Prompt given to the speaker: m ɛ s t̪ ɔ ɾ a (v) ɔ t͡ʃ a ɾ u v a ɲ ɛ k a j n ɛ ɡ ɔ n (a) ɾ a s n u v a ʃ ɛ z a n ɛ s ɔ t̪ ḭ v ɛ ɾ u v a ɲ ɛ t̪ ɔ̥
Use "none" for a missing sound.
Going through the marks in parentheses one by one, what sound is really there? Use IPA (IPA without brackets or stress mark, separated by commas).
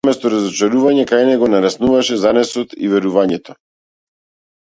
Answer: z, a